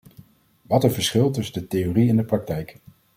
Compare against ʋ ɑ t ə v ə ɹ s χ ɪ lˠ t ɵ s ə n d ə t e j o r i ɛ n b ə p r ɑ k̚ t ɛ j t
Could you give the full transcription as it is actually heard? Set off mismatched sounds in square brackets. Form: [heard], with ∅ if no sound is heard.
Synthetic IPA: ʋ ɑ t ə v ə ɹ s χ ɪ lˠ t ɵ s ə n d ə t e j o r i ɛ n [d] ə p r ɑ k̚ t ɛ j [k]